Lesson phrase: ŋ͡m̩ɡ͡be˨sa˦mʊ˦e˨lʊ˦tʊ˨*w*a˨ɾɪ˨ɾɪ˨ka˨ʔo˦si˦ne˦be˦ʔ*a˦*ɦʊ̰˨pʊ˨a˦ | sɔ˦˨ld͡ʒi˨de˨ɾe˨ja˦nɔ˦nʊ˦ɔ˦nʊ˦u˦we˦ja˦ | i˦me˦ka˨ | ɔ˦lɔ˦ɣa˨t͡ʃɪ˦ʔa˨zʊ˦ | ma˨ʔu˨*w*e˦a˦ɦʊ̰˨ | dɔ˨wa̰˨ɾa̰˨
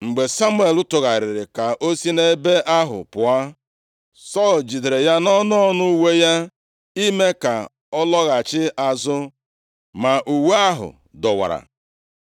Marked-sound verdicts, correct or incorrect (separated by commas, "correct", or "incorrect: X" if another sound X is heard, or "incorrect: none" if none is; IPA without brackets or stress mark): incorrect: ɣ, correct, correct